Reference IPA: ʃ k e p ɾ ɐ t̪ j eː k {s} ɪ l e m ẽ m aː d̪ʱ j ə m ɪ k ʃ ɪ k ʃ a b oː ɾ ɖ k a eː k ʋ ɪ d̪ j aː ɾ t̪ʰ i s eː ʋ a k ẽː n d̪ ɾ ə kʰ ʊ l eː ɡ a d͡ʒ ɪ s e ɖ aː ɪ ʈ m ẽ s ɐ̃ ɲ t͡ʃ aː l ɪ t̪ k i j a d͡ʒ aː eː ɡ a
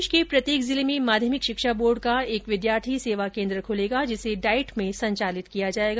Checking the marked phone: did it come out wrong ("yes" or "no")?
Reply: yes